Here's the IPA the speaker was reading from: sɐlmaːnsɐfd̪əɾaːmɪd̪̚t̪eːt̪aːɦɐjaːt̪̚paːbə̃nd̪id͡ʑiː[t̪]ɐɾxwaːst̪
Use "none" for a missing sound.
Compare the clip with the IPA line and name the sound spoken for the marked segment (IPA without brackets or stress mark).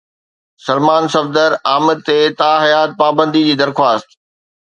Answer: d̪